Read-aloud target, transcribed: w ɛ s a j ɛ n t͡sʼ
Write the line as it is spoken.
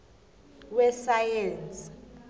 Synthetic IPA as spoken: w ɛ s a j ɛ n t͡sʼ